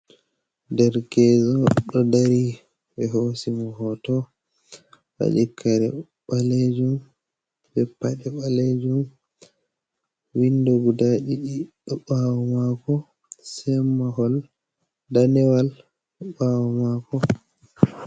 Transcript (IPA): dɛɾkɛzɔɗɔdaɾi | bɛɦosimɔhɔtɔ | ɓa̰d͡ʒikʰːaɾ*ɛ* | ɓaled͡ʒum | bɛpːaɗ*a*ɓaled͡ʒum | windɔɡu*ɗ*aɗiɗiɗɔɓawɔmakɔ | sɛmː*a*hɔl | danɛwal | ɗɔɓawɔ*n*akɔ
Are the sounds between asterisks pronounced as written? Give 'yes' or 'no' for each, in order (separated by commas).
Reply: yes, no, no, yes, no